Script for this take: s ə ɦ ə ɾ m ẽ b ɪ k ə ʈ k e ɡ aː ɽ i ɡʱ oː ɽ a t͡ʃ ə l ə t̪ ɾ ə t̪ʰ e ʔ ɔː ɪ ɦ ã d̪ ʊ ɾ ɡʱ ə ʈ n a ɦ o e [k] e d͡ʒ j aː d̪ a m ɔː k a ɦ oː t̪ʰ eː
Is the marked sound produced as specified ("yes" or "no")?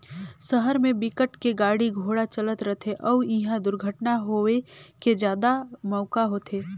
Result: yes